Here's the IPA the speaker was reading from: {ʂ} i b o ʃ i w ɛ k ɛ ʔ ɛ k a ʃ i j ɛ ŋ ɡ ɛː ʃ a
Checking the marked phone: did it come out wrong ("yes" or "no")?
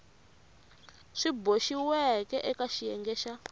no